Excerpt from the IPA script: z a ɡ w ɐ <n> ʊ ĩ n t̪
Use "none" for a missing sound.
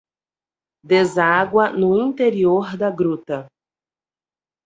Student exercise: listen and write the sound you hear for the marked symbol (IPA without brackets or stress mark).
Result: n